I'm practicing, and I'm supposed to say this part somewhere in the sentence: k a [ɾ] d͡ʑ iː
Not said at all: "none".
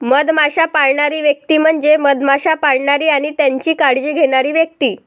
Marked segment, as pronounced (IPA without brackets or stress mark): ɽ